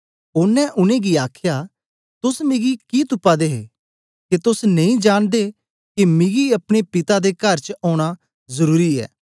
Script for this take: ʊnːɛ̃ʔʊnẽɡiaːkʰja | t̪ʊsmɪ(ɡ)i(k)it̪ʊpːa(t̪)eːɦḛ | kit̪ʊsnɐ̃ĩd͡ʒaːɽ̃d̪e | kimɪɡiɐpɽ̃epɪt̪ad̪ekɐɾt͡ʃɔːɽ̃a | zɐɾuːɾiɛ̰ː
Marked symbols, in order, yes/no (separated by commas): yes, yes, no